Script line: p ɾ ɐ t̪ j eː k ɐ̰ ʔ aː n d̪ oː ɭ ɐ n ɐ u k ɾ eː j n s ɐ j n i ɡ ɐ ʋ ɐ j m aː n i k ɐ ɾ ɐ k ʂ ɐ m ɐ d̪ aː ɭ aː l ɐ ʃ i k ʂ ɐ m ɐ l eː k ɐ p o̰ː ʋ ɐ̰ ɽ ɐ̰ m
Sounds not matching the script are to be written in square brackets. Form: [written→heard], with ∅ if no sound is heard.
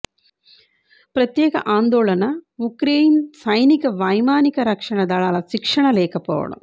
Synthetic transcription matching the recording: p ɾ ɐ t̪ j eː k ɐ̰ ʔ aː n d̪ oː ɭ ɐ n ɐ u k ɾ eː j n s ɐ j n i [ɡ→k] ɐ ʋ ɐ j m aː n i k ɐ ɾ ɐ k ʂ ɐ [m→ɳ] ɐ d̪ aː ɭ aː l ɐ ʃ i k ʂ ɐ [m→ɳ] ɐ l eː k ɐ p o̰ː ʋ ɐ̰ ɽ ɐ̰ m